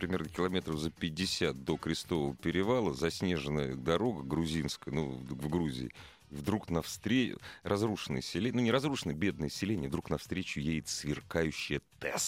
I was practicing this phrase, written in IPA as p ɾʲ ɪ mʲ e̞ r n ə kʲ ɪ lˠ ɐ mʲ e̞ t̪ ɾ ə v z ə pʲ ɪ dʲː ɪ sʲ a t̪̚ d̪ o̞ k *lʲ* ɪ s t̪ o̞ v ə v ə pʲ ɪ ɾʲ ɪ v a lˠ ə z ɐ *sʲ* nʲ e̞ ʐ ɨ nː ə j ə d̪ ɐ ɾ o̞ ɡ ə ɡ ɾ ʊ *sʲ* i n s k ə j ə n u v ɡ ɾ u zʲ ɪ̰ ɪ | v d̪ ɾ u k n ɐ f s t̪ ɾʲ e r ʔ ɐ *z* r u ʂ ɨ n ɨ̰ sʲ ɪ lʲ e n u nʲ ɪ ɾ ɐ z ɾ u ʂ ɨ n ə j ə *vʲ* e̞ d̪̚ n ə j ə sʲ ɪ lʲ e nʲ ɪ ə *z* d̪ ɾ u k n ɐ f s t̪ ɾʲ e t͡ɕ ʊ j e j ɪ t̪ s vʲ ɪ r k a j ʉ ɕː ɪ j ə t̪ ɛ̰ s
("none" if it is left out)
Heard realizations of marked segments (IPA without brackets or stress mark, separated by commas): ɾʲ, sʲ, zʲ, z, bʲ, v